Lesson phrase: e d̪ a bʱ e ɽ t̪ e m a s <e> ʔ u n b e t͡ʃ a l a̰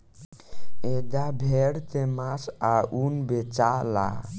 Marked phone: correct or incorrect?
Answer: incorrect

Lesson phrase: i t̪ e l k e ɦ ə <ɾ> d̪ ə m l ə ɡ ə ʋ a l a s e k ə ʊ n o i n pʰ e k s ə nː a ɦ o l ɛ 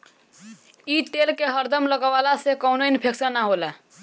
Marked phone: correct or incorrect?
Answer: correct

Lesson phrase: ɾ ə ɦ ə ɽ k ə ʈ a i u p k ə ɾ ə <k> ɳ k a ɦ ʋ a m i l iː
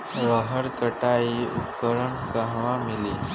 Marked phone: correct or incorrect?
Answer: incorrect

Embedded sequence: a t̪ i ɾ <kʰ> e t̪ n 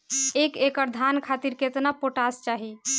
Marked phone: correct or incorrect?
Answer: incorrect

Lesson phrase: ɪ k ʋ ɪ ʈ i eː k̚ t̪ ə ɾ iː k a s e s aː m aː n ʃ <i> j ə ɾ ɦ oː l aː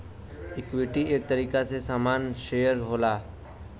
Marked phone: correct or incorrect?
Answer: incorrect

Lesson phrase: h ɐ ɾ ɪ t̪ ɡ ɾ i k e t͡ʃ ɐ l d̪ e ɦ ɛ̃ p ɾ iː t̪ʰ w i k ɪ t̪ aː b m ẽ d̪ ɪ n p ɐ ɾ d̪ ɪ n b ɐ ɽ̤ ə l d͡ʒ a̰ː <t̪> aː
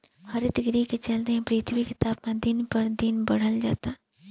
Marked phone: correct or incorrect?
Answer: correct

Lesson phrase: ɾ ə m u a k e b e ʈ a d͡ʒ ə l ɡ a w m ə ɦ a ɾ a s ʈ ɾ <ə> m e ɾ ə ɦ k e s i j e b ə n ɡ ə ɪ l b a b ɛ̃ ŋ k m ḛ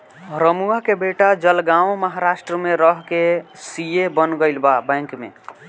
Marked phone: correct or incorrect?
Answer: correct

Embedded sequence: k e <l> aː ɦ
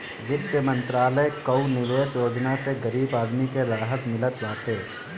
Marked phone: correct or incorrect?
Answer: incorrect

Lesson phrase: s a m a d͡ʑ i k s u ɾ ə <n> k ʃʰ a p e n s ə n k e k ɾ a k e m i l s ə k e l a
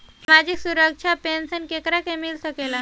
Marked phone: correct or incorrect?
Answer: incorrect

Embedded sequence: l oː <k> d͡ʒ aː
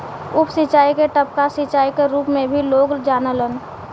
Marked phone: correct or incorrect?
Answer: incorrect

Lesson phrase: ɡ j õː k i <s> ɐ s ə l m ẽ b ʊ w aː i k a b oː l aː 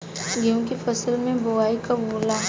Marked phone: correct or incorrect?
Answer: incorrect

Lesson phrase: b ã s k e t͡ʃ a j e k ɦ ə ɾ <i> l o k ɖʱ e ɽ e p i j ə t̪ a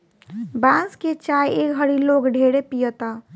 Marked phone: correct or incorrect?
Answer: correct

